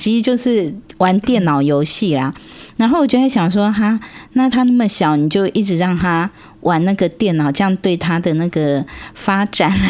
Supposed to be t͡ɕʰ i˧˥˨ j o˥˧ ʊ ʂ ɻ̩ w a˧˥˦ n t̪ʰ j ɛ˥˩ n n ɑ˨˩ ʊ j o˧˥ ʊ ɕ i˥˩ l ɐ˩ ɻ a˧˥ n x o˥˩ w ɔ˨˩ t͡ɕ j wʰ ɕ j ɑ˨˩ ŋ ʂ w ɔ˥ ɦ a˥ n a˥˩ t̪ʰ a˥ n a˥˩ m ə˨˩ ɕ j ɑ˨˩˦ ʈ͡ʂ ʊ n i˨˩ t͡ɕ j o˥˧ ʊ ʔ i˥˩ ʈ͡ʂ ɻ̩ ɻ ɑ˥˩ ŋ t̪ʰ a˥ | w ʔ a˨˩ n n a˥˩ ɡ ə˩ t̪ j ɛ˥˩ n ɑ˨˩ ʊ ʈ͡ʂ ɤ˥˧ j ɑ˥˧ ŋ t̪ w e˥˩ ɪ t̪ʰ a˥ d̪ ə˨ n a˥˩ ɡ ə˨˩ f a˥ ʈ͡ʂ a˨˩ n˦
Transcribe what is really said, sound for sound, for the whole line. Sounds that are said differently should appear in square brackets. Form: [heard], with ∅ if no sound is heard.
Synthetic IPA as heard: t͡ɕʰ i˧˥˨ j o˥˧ ʊ ʂ ɻ̩ w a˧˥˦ n [t̪] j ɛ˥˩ n n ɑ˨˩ ʊ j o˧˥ ʊ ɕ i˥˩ l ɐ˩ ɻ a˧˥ n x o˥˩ w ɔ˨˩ t͡ɕ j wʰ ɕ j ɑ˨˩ ŋ ʂ w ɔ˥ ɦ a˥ n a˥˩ t̪ʰ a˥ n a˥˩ m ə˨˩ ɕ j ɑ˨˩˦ [∅] ʊ n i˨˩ t͡ɕ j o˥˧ ʊ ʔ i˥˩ ʈ͡ʂ ɻ̩ ɻ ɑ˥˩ ŋ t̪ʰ a˥ | w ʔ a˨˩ n n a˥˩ ɡ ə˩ t̪ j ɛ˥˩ n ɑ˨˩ ʊ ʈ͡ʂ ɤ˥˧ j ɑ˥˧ ŋ t̪ w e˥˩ ɪ t̪ʰ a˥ d̪ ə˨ n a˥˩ ɡ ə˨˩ f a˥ ʈ͡ʂ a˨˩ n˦